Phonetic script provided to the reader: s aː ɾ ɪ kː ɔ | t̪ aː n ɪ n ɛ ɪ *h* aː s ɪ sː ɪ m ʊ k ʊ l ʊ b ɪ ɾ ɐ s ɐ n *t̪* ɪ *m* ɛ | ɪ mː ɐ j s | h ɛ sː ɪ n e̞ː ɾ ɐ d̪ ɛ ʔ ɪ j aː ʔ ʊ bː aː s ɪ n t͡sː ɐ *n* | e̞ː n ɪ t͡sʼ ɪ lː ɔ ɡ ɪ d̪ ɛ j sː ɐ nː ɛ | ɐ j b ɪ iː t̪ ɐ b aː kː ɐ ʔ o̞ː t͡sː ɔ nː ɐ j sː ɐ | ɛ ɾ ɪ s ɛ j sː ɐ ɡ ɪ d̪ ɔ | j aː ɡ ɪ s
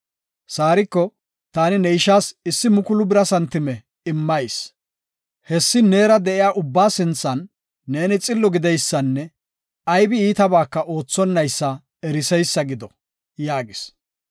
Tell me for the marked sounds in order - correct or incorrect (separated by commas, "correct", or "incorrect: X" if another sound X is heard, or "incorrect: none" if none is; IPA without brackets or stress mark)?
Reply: incorrect: ʃ, correct, correct, incorrect: nː